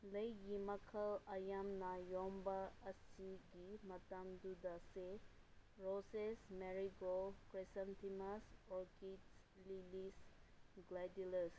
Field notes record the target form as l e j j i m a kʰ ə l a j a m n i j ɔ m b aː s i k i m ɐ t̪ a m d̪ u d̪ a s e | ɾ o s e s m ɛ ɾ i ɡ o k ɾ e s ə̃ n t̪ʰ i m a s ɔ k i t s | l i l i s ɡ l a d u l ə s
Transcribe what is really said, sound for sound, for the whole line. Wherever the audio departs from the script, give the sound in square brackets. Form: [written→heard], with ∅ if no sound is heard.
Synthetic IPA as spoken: l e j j i m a kʰ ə l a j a m n [i→a] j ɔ m b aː s i [k→ɡ] i m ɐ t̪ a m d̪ u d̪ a s e | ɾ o s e s m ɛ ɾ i ɡ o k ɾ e s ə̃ n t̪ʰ i m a s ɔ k i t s | l i l i s ɡ l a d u l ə s